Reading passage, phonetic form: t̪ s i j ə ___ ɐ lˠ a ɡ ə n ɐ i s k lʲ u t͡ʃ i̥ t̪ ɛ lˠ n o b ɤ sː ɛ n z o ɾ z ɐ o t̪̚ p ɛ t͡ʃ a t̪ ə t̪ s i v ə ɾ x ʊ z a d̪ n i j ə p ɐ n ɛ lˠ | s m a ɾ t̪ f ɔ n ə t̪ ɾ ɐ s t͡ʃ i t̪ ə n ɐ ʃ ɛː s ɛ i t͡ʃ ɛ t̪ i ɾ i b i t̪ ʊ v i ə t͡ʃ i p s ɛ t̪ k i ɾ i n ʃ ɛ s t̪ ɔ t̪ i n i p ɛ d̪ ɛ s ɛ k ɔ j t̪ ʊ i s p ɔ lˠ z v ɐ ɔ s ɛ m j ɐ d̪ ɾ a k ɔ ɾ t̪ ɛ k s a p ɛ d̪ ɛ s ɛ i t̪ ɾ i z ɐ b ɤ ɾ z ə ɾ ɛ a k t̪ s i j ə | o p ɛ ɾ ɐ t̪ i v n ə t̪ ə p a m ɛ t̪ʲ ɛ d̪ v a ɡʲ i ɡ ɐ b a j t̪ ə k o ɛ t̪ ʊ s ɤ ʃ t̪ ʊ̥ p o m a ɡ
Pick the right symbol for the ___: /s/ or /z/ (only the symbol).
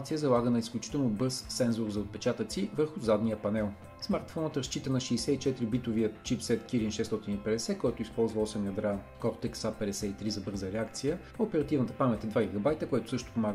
z